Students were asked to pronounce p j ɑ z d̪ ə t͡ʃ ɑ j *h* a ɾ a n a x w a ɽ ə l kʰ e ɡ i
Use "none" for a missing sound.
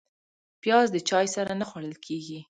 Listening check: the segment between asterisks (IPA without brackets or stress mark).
s